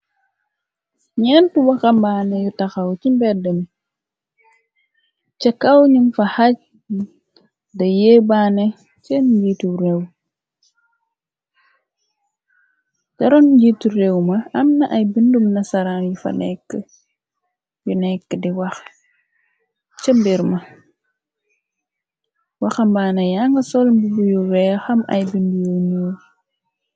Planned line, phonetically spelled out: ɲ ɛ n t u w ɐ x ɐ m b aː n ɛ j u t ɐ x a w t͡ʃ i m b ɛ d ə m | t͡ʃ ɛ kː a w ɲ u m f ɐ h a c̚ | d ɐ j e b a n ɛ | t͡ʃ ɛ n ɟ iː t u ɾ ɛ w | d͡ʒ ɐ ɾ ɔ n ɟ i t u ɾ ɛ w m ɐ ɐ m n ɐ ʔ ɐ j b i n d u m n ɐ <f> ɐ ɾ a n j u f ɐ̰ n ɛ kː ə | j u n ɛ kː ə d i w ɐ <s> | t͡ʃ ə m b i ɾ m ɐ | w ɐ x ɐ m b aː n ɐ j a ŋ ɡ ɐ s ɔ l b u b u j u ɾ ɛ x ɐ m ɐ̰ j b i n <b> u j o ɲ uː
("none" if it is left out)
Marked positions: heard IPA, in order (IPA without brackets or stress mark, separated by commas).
s, x, d